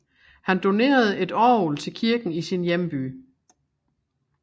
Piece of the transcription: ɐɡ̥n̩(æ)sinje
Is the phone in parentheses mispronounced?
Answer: yes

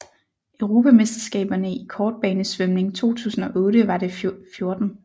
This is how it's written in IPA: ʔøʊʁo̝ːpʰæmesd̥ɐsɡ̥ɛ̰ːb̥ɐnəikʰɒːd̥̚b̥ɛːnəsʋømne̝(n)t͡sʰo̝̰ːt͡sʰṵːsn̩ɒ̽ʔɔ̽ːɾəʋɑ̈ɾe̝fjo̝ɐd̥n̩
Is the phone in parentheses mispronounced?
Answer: yes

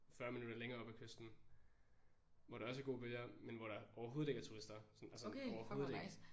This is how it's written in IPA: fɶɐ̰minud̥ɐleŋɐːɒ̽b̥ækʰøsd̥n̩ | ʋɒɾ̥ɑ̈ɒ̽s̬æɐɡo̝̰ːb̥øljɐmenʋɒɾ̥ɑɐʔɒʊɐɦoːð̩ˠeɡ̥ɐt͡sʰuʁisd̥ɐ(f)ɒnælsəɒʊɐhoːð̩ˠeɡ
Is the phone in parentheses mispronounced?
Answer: yes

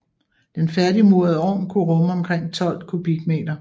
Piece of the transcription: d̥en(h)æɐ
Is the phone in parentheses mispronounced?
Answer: yes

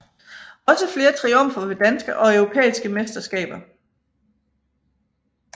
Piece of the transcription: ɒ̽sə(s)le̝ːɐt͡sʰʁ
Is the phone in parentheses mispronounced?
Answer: yes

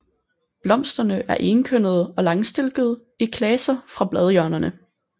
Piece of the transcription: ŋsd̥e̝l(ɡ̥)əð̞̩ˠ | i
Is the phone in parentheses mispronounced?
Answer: no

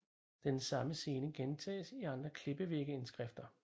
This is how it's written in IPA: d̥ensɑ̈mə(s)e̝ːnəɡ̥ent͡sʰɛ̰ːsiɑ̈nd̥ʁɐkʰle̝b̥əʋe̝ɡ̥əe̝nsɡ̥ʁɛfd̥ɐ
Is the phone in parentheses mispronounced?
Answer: no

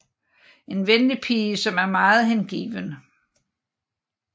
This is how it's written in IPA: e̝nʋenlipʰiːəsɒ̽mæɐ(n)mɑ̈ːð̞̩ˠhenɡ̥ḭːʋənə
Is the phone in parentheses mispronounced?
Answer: yes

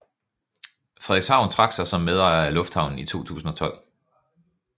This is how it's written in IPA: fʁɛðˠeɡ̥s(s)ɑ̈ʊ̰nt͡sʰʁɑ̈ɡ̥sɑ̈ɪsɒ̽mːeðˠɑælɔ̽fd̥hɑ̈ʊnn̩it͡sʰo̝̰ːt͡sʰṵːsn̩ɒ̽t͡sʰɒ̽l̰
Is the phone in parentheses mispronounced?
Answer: yes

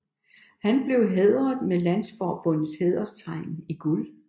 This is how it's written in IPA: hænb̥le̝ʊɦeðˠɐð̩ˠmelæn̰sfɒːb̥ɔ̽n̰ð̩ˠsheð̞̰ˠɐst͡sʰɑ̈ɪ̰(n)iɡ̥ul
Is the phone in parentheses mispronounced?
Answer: no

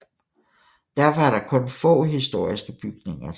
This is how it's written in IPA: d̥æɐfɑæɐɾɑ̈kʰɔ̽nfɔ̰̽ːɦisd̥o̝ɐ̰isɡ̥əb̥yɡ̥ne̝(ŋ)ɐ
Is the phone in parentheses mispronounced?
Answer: no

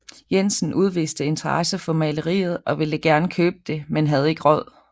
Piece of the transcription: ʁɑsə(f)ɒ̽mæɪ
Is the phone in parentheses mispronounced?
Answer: no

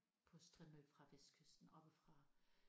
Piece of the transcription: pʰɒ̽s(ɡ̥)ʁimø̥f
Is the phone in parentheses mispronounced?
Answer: yes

